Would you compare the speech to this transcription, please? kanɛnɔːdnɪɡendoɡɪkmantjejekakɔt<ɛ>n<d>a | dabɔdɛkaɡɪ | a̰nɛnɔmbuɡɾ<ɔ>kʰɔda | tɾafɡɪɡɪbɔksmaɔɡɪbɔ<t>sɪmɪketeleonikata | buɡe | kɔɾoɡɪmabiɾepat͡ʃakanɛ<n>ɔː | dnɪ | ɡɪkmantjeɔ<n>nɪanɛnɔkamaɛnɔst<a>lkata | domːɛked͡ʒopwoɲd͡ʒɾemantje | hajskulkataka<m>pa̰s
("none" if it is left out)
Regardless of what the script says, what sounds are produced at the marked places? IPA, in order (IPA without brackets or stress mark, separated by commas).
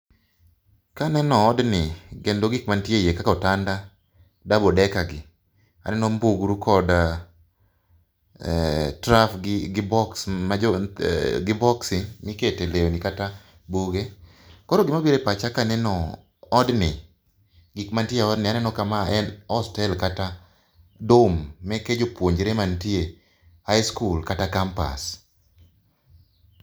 a, d, u, k, n, d, ɛ, m